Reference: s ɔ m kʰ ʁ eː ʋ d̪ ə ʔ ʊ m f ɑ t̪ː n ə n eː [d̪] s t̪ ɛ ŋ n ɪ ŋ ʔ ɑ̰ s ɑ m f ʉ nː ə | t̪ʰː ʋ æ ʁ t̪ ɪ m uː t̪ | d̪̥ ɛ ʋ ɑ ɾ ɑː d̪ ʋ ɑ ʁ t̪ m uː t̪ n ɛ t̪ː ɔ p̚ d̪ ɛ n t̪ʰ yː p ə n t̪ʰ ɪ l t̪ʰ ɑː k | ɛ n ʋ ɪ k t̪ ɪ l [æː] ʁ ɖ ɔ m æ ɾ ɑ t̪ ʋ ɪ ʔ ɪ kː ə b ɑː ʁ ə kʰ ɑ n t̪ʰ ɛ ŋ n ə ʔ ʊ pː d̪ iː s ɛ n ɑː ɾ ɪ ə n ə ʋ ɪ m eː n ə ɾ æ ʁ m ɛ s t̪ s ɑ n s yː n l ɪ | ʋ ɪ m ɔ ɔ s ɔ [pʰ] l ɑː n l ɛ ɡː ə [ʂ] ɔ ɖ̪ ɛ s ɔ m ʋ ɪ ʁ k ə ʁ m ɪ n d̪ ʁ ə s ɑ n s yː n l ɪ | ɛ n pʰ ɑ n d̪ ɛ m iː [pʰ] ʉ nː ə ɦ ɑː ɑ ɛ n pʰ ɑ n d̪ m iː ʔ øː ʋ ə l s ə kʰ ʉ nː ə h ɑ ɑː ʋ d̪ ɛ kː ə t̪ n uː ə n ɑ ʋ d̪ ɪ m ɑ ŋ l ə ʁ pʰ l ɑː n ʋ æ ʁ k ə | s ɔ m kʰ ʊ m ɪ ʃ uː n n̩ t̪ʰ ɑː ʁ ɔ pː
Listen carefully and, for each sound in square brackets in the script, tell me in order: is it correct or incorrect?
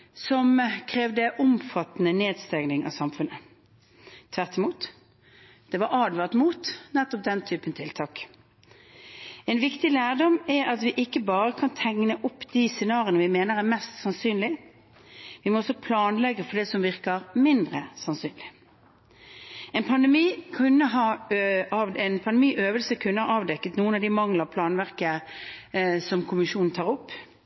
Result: correct, correct, correct, incorrect, incorrect

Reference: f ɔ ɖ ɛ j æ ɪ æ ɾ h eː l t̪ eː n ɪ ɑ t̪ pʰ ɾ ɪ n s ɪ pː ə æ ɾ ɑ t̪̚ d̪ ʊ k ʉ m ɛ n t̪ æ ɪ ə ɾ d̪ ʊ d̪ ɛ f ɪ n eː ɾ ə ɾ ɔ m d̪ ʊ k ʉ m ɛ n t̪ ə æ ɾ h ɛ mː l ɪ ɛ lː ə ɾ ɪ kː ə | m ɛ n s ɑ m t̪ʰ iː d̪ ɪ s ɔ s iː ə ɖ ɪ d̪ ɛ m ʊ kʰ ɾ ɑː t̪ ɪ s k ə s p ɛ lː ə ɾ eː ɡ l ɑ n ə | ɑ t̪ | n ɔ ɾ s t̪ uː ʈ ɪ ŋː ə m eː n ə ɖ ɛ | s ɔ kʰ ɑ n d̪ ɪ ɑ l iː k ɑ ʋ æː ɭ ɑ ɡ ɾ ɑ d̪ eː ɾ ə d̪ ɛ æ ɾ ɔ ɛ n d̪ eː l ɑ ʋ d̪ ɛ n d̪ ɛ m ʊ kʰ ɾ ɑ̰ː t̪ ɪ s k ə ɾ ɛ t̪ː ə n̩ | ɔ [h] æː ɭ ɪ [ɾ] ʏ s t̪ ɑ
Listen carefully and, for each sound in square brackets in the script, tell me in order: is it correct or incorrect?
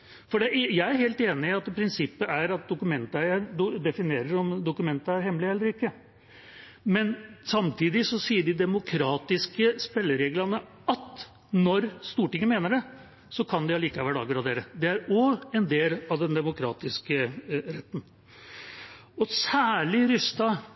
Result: incorrect, correct

